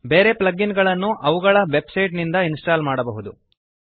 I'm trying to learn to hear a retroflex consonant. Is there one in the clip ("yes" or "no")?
yes